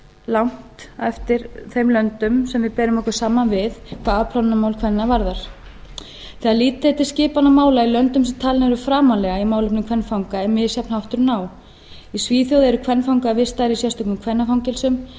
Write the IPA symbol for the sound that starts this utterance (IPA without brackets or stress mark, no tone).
l